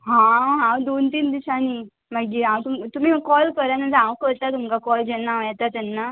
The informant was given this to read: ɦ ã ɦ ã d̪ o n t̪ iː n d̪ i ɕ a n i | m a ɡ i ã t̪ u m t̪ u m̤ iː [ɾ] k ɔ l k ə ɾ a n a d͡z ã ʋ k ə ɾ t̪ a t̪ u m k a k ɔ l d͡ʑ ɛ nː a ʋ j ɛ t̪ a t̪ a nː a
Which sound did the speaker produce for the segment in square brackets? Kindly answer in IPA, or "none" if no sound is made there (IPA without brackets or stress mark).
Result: none